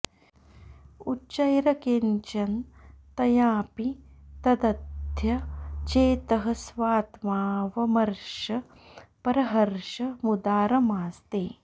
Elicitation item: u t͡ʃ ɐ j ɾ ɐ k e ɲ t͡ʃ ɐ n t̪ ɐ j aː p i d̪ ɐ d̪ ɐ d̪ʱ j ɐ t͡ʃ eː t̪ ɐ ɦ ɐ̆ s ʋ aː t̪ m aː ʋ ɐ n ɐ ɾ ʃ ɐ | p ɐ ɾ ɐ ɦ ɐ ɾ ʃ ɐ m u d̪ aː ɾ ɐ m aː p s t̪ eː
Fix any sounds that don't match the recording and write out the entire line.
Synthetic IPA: u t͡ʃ ɐ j ɾ ɐ k e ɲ t͡ʃ ɐ n t̪ ɐ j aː p i t̪ ɐ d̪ ɐ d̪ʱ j ɐ t͡ʃ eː t̪ ɐ ɦ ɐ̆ s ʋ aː t̪ m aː ʋ ɐ m ɐ ɾ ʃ ɐ | p ɐ ɾ ɐ ɦ ɐ ɾ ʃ ɐ m u d̪ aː ɾ ɐ m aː s t̪ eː